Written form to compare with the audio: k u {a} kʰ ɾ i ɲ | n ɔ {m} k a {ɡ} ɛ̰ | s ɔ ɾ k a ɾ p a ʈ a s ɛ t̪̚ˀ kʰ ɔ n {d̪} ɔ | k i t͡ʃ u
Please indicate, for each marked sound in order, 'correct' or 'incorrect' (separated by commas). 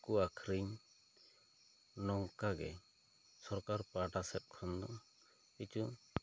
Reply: correct, incorrect, correct, correct